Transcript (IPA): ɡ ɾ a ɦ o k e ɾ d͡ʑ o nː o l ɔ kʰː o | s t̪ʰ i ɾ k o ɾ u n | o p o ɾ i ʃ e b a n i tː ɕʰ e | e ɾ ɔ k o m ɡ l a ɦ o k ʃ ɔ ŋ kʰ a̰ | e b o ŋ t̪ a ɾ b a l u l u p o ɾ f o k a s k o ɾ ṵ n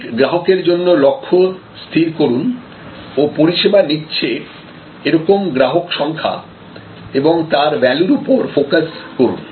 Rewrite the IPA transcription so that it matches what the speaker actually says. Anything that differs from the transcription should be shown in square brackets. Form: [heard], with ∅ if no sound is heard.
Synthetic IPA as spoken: ɡ ɾ a ɦ o k e ɾ d͡ʑ o nː o l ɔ kʰː o | s t̪ʰ i ɾ k o ɾ u n | o p o ɾ i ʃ e b a n i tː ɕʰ e | e ɾ ɔ k o m ɡ [ɾ] a ɦ o k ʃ ɔ ŋ kʰ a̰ | e b o ŋ t̪ a ɾ b [ɛ] l u [ɾ] u p o ɾ f o k a s k o ɾ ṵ n